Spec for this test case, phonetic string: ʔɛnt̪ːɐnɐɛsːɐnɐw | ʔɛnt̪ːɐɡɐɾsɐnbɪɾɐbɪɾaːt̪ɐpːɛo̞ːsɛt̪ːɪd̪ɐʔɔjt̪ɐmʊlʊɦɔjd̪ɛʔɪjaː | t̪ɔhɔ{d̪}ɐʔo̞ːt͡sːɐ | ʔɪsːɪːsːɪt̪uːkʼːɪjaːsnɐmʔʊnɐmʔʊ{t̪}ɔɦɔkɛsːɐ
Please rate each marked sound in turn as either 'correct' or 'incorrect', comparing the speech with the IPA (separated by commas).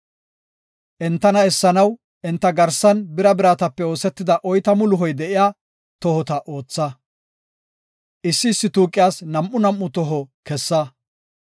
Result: incorrect, correct